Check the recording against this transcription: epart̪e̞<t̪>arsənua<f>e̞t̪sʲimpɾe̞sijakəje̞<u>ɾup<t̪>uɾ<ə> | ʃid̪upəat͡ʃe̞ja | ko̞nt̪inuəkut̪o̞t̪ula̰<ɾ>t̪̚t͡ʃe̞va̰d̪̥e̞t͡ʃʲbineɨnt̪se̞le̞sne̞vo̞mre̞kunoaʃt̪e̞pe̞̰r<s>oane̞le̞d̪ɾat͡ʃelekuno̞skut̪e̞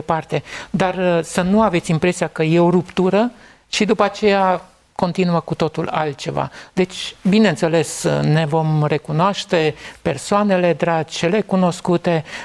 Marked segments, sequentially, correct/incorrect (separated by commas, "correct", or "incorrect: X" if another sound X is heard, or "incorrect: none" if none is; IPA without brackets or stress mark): incorrect: d̪, incorrect: v, incorrect: o, correct, correct, incorrect: l, correct